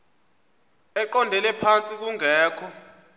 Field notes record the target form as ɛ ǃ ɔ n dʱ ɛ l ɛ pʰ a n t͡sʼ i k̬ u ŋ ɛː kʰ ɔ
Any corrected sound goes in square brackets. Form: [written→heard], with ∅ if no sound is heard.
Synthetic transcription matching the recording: ɛ ǃ ɔ n dʱ ɛ l ɛ pʰ a n t͡sʼ i k̬ u ŋ ɛː kʰ ɔ